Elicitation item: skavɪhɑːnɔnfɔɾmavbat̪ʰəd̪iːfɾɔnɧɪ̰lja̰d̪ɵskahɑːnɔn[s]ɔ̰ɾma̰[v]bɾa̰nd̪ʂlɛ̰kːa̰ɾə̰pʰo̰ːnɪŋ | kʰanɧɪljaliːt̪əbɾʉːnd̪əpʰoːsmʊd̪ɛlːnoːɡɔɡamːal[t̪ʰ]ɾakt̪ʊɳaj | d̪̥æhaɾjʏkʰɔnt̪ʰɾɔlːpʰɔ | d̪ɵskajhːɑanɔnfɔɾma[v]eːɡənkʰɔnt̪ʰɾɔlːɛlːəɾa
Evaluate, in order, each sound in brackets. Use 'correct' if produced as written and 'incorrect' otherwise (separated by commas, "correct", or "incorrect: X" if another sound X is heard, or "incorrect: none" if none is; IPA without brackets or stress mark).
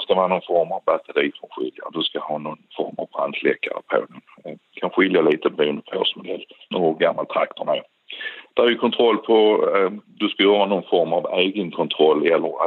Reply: incorrect: f, correct, correct, correct